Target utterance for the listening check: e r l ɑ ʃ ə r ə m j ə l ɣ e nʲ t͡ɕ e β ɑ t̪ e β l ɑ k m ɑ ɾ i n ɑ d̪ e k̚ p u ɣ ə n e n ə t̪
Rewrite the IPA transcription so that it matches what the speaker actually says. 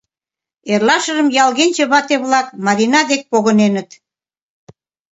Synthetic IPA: e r l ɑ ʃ ə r ə m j ɑ l ɣ e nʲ t͡ɕ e β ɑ t̪ e β l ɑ k m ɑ ɾ i n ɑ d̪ e k̚ p o ɣ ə n e n ə t̪